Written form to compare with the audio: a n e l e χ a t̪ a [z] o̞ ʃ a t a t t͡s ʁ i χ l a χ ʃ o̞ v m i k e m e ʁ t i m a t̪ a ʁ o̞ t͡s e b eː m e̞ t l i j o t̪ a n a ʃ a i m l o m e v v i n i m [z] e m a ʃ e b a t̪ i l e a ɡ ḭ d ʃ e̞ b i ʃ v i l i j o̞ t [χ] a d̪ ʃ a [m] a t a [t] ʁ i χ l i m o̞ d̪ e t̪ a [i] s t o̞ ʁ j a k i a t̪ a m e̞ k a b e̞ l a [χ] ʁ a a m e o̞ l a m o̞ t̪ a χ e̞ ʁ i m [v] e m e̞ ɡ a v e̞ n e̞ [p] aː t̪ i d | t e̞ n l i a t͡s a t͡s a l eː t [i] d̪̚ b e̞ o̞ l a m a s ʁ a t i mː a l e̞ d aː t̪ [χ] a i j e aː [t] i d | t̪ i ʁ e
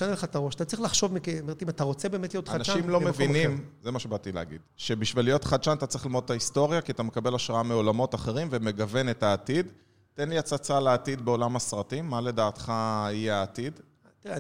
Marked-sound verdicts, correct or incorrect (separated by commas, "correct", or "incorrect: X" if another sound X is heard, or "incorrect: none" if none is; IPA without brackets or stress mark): incorrect: ʁ, correct, correct, incorrect: n, incorrect: t͡s, correct, incorrect: ʃ, correct, incorrect: t, correct, correct, correct